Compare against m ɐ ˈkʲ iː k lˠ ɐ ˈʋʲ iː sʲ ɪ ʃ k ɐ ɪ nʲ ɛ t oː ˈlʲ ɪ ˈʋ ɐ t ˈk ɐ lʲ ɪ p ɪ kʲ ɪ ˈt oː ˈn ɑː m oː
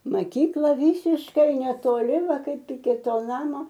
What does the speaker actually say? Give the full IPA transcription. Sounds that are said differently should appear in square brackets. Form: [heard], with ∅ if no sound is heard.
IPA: m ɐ ˈkʲ iː k lˠ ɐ ˈʋʲ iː sʲ ɪ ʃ k ɐ ɪ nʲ ɛ t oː ˈlʲ ɪ ˈʋ ɐ [∅] ˈk ɐ [∅] ɪ p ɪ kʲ ɪ ˈt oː ˈn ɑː m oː